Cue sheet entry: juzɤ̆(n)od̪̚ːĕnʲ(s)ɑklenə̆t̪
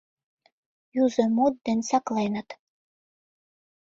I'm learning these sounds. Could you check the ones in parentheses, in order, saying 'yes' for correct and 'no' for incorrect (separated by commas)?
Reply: no, yes